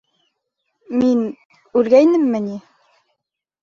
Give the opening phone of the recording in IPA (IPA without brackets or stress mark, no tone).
m